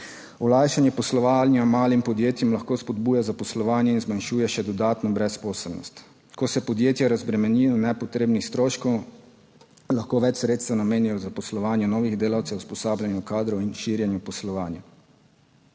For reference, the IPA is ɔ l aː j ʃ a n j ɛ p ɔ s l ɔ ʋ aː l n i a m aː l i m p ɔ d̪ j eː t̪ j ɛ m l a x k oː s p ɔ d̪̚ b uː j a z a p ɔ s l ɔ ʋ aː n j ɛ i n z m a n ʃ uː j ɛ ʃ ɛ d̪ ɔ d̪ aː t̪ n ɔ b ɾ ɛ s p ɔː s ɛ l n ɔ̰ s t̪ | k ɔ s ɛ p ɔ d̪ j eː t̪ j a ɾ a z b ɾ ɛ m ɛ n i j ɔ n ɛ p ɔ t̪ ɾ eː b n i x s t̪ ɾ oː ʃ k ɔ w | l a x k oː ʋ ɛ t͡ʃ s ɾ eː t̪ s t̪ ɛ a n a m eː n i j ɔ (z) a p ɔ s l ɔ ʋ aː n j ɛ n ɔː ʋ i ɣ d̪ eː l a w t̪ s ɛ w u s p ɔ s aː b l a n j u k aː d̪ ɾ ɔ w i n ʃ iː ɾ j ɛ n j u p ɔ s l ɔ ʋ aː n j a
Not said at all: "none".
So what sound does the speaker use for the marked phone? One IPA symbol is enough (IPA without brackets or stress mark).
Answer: z